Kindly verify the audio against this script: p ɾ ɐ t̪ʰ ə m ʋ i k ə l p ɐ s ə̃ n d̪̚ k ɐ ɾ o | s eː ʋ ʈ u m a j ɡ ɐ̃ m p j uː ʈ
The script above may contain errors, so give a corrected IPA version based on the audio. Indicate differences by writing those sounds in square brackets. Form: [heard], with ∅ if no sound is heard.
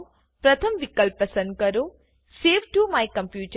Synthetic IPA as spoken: p ɾ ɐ t̪ʰ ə m ʋ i k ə l p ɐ s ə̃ n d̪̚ k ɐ ɾ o | s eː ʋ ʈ u m a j [k] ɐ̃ m p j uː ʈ